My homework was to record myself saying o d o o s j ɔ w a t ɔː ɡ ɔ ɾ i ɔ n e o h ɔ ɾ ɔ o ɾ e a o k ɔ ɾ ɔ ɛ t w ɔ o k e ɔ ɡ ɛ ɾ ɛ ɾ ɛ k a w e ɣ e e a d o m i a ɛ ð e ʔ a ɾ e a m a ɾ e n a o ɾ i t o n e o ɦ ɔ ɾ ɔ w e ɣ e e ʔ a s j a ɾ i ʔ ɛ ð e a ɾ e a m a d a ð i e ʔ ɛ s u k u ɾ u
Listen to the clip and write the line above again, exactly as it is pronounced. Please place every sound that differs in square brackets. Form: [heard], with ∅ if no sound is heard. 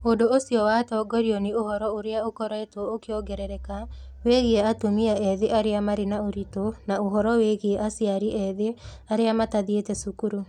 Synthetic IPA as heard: o d o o s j ɔ w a t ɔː ɡ ɔ ɾ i ɔ n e o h ɔ ɾ ɔ o ɾ e a o k ɔ ɾ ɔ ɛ t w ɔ o k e ɔ ɡ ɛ ɾ ɛ ɾ ɛ k a w e ɣ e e a [t] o m i a ɛ ð e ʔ a ɾ e a m a ɾ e n a o ɾ i t o n [a] o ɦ ɔ ɾ ɔ w e ɣ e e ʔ a s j a ɾ i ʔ ɛ ð e a ɾ e a m a [t] a ð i e [t] ɛ s u k u ɾ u